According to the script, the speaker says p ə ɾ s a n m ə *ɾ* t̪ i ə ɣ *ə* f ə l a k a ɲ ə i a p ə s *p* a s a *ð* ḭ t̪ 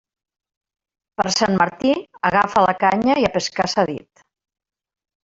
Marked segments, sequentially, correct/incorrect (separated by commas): correct, incorrect, incorrect, correct